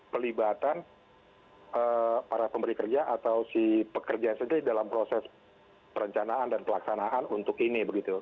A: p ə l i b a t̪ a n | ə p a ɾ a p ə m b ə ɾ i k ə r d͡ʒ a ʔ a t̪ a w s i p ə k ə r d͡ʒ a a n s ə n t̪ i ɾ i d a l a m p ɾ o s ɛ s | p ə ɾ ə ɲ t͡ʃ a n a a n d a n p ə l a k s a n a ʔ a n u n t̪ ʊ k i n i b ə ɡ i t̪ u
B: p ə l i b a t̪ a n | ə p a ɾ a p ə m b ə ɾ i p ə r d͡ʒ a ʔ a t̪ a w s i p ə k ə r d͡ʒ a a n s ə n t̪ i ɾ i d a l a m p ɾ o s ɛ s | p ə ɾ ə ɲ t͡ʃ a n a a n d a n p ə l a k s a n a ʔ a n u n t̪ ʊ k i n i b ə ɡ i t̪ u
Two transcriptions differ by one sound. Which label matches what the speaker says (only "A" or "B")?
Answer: A